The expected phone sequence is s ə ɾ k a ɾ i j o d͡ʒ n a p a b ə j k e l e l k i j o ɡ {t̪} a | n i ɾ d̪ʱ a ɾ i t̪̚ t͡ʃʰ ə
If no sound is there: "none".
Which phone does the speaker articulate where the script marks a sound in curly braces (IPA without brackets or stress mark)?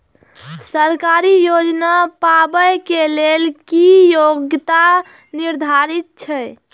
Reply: t̪